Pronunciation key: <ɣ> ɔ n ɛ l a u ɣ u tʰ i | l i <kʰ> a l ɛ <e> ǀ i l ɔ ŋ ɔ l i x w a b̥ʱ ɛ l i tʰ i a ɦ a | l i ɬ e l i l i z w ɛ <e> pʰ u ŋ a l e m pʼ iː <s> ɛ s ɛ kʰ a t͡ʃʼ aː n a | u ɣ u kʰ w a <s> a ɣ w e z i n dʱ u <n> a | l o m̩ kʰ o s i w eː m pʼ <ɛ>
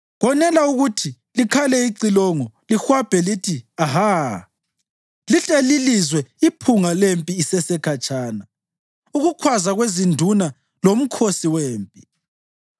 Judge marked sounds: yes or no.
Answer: yes, yes, no, no, yes, no, yes, no

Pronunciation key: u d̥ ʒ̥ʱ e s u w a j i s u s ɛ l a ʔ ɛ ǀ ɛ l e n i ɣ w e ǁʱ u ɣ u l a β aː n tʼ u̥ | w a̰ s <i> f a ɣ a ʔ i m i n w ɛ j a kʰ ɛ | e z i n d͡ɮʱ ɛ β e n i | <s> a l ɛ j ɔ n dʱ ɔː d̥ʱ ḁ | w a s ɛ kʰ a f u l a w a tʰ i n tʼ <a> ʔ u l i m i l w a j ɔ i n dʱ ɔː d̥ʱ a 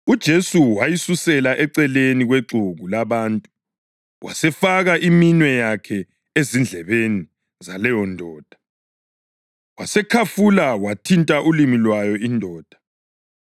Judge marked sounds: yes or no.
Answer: no, no, yes

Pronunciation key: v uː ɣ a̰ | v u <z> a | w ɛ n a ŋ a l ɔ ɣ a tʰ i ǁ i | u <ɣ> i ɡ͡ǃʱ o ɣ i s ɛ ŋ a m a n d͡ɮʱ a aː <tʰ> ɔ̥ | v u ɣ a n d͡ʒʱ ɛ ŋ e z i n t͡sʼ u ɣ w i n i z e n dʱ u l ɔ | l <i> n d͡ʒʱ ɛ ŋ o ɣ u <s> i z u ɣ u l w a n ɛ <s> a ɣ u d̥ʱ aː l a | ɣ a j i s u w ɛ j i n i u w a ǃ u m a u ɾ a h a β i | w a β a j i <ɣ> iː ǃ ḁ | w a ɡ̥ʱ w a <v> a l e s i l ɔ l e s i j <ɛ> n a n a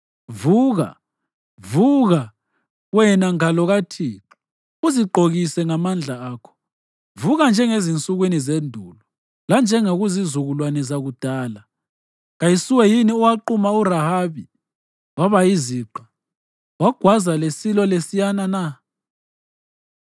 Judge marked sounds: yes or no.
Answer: no, no, no, no, no, no, no, no, no

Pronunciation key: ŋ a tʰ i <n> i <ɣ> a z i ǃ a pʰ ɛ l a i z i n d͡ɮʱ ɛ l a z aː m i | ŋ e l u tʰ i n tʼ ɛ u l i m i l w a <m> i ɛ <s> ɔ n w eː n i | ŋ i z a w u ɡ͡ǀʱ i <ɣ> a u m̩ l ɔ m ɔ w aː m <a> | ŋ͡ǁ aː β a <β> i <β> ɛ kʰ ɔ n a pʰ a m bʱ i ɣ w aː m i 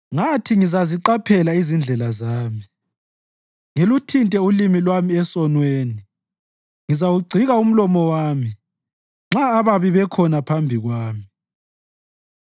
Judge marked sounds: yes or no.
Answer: no, no, yes, yes, yes, no, yes, yes

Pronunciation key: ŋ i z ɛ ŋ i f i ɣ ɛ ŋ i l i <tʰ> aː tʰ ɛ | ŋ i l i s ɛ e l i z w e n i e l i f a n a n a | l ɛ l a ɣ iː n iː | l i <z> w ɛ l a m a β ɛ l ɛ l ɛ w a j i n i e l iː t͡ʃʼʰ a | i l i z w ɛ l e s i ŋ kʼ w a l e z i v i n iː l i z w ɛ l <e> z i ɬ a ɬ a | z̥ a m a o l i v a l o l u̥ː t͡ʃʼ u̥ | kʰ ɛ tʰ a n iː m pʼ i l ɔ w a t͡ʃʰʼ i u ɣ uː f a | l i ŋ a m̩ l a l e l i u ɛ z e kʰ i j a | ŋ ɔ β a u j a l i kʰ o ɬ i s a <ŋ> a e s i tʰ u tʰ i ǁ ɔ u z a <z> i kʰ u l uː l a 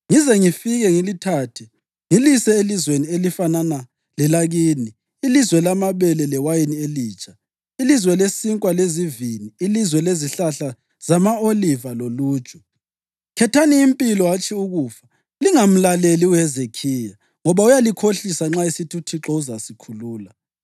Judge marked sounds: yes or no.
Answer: yes, yes, yes, no, no

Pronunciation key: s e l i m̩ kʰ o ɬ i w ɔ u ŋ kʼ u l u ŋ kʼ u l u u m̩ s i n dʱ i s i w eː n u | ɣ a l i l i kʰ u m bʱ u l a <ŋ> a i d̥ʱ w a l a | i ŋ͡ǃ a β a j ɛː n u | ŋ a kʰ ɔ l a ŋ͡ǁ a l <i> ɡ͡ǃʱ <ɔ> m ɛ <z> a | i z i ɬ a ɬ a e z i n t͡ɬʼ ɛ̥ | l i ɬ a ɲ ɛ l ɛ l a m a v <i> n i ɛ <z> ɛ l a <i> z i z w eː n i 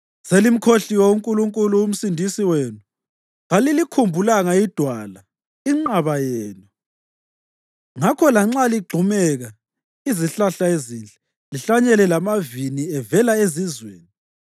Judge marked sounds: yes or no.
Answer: yes, yes, no, no, yes, no, no

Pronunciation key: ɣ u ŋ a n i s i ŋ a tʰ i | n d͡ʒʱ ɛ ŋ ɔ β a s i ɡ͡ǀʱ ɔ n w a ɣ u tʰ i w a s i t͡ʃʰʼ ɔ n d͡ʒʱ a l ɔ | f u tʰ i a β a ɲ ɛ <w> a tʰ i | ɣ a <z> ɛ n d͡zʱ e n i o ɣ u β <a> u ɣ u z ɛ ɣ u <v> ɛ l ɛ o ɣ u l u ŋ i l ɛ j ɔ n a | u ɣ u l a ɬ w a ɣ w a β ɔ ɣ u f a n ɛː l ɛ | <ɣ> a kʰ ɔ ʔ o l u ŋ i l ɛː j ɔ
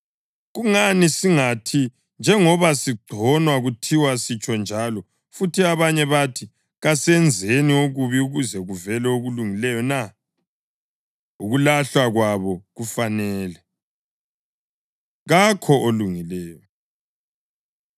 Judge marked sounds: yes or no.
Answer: no, no, no, yes, yes

